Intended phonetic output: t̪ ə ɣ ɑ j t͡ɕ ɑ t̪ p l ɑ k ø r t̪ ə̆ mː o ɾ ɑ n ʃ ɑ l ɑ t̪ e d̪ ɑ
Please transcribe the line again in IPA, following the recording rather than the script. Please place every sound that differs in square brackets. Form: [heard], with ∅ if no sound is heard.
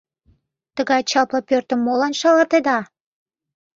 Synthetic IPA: t̪ ə ɣ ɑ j t͡ɕ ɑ [∅] p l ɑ [p] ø r t̪ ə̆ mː o [l] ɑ n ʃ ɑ l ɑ t̪ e d̪ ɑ